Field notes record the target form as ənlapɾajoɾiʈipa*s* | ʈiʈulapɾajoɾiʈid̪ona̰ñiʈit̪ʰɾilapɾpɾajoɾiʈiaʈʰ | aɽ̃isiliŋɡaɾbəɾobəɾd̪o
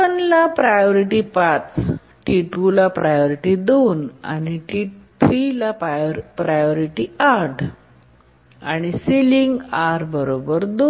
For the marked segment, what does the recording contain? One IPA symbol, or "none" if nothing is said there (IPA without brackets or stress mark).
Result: t͡s